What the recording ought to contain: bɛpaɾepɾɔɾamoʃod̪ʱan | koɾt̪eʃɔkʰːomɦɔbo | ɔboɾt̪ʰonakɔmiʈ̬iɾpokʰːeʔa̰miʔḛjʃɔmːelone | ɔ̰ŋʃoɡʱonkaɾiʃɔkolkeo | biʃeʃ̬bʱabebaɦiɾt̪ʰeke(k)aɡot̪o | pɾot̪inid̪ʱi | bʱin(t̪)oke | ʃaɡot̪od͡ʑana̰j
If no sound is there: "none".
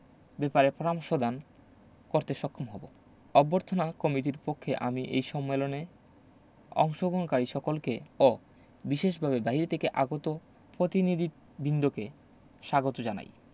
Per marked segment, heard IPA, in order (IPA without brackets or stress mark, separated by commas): ʔ, d̪